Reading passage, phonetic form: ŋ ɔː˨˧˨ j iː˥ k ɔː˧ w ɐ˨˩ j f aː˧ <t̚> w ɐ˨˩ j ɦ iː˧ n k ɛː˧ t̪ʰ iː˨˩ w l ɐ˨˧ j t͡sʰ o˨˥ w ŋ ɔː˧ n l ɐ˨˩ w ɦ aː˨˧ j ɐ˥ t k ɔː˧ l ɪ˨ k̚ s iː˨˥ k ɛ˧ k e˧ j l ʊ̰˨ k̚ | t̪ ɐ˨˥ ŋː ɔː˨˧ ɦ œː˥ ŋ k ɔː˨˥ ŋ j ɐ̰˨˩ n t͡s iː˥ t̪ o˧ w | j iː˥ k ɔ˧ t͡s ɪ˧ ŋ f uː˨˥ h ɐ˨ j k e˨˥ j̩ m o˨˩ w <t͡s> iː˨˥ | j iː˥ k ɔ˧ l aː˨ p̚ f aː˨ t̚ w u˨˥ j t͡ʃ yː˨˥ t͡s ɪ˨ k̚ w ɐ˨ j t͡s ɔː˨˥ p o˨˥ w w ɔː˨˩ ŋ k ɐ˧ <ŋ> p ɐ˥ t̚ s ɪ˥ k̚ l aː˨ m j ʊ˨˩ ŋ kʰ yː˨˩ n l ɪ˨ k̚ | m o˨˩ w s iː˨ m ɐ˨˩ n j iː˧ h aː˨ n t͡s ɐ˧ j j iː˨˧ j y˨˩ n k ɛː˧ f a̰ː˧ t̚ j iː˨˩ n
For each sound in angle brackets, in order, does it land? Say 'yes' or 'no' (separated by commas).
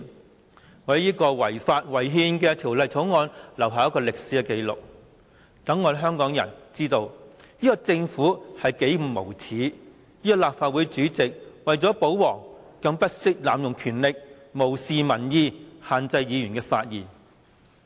yes, no, yes